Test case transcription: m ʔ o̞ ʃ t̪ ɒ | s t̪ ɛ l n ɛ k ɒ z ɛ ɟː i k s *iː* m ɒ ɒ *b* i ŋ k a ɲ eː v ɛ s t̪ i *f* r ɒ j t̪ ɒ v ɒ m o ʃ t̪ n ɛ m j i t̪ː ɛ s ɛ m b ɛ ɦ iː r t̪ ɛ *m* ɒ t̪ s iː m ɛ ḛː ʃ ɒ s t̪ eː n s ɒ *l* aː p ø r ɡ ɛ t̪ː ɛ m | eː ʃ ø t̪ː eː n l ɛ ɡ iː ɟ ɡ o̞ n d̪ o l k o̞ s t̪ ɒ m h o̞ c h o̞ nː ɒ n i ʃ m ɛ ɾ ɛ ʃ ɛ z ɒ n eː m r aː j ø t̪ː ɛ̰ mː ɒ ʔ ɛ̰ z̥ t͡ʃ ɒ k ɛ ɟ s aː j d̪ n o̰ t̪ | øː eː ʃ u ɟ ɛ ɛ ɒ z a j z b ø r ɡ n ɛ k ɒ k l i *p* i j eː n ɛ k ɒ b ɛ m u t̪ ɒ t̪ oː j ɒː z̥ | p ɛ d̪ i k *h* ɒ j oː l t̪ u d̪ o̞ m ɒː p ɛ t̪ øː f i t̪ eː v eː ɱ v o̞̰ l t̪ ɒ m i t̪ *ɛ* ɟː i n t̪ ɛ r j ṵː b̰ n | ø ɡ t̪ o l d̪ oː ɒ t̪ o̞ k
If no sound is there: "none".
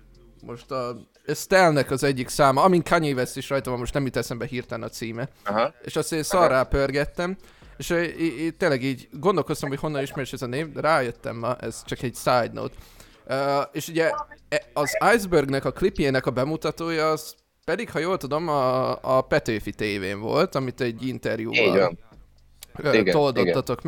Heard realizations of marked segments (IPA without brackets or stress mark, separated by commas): aː, m, ʃ, n, r, p, h, ɛ